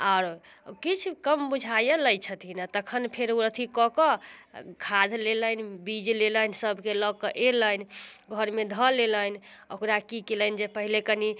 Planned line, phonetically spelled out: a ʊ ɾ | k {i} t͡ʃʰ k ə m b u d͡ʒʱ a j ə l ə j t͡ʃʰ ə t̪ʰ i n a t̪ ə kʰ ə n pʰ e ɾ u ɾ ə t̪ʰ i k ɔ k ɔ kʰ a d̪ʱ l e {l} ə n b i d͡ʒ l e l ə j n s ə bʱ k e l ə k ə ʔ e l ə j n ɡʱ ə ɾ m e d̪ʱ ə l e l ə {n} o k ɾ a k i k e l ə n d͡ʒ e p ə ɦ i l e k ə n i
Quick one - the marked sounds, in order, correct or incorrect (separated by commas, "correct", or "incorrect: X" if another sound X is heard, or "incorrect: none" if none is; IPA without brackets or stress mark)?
correct, correct, correct